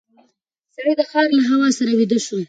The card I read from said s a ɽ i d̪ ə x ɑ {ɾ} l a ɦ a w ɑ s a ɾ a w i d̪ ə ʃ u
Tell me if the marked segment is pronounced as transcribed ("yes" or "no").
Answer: yes